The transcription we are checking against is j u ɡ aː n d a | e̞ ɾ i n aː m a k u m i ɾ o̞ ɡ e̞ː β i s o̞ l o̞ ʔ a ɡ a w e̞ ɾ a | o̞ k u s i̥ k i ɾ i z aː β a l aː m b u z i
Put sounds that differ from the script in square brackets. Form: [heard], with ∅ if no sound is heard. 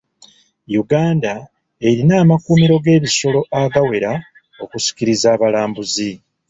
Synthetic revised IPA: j u ɡ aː n d a | e̞ ɾ i n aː m a k u m i ɾ o̞ ɡ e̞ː β i s o̞ l o̞ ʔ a ɡ a w e̞ ɾ a | o̞ k u s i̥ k i ɾ i z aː β a l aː m b u z i